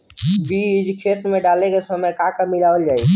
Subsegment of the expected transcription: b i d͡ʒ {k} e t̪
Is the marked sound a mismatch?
yes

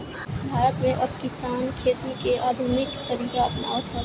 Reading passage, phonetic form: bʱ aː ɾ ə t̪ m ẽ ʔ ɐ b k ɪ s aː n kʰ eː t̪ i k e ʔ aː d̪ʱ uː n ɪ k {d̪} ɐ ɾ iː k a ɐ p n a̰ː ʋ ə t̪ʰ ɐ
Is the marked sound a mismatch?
yes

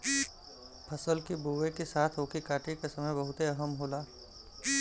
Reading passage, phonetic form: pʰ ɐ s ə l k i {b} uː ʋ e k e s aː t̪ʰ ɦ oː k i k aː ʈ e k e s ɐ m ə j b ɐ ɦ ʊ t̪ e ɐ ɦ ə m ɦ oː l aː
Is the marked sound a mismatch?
no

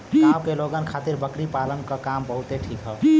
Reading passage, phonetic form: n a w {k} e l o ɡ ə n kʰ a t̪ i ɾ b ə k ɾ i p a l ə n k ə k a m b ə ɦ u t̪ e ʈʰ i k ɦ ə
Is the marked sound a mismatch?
no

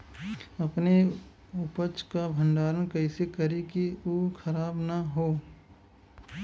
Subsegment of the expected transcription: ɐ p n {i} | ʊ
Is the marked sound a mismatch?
yes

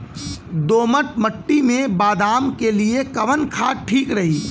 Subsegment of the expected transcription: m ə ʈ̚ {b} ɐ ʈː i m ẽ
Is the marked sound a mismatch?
yes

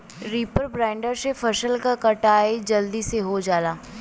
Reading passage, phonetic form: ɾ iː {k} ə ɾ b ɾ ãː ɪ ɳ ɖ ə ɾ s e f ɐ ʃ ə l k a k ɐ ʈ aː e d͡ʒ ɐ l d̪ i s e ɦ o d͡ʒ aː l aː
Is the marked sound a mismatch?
yes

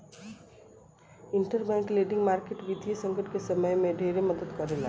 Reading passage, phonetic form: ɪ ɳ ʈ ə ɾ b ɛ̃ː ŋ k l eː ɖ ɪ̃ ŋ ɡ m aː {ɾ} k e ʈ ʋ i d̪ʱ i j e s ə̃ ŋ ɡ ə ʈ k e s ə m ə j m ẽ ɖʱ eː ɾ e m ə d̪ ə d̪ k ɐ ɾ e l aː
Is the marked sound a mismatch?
no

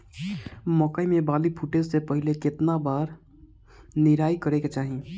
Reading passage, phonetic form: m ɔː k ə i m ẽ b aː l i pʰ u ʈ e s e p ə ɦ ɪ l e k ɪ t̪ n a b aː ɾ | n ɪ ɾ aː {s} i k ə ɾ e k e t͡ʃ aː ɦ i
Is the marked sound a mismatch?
yes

